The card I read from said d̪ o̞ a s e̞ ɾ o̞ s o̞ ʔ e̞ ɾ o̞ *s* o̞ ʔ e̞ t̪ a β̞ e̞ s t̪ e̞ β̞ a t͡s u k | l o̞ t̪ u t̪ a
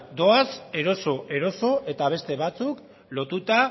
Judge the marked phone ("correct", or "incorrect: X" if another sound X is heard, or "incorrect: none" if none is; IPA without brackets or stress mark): correct